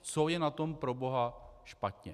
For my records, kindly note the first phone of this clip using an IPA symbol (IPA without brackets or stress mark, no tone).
t͡s